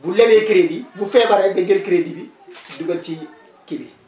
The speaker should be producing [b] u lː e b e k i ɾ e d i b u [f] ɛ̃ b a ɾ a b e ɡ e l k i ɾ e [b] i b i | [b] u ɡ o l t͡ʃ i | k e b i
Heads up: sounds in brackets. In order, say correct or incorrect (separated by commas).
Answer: correct, correct, incorrect, incorrect